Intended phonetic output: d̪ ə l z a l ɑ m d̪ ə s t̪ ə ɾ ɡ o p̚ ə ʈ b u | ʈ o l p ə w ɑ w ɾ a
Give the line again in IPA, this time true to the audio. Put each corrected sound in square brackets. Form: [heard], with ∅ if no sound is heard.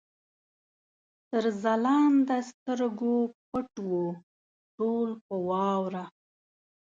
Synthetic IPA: [t̪] ə [ɾ] z a l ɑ [n] d̪ ə s t̪ ə ɾ ɡ o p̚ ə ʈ [w] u | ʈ o l p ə w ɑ w ɾ a